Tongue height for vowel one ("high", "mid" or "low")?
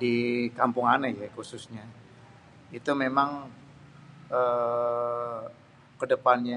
high